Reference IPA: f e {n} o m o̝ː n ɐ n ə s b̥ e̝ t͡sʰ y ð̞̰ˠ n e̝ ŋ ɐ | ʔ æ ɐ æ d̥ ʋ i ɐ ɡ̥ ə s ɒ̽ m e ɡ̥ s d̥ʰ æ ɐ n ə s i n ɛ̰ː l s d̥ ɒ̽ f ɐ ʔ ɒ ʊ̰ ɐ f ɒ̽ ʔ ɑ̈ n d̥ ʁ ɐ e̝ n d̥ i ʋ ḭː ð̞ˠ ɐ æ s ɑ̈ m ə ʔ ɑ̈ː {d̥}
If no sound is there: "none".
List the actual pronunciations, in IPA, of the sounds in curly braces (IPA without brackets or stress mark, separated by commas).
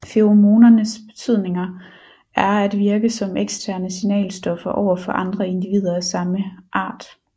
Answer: none, d̥